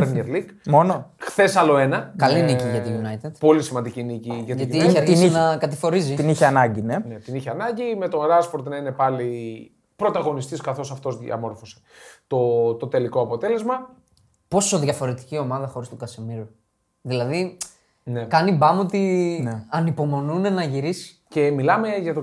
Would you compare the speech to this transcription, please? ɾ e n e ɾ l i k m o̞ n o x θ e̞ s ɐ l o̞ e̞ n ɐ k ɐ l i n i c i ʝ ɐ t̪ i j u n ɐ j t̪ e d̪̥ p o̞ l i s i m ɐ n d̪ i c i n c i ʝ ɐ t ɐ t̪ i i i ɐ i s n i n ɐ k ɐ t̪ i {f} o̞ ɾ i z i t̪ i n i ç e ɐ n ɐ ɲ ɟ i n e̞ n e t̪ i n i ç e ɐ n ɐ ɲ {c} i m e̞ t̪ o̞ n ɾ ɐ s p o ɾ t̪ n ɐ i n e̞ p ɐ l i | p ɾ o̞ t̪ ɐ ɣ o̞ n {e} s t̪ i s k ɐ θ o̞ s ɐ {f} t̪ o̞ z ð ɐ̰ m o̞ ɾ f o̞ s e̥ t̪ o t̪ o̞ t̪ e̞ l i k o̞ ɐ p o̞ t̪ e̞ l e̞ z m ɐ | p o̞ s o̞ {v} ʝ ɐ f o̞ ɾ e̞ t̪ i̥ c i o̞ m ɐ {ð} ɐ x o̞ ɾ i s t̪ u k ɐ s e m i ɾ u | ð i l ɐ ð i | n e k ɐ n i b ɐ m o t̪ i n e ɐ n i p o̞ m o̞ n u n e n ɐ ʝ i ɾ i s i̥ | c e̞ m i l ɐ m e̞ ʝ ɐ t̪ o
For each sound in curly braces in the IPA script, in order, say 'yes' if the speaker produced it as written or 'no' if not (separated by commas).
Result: yes, no, no, yes, no, yes